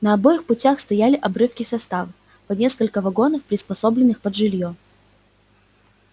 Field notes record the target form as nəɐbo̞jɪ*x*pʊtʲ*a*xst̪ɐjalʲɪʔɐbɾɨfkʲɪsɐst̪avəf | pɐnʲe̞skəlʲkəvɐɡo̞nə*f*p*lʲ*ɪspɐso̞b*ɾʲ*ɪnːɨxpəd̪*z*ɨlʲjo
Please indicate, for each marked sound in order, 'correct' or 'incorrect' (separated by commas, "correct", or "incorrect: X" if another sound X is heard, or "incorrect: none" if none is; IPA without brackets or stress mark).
correct, correct, correct, incorrect: ɾʲ, incorrect: lʲ, incorrect: ʐ